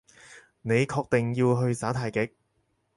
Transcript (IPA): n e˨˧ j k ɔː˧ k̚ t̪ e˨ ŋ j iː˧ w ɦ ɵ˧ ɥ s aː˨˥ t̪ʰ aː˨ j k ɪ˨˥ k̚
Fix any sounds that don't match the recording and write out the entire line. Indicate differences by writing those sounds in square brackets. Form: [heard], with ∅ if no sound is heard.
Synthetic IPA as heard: n e˨˧ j [kʰ] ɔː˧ k̚ t̪ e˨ ŋ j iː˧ w ɦ ɵ˧ ɥ s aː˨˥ t̪ʰ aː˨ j k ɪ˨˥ k̚